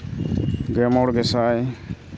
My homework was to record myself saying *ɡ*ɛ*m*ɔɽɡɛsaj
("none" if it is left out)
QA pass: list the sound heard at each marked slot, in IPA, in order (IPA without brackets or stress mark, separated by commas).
ɡ, m